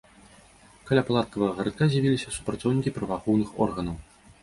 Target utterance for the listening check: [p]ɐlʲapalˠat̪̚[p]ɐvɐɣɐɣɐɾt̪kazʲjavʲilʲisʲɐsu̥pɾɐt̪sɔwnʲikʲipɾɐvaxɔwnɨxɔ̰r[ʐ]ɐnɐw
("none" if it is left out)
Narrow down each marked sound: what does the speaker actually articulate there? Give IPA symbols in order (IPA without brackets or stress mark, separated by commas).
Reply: k, k, ɣ